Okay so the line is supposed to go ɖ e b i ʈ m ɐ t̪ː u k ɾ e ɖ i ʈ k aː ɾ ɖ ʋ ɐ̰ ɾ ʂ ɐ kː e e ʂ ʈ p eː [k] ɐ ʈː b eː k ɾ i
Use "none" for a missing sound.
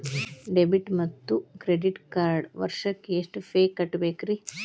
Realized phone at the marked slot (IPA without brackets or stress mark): k